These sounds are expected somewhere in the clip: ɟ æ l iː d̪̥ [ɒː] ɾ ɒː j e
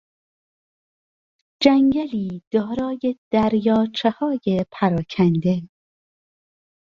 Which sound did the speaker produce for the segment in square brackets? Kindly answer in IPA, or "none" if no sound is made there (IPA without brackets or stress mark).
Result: ɒː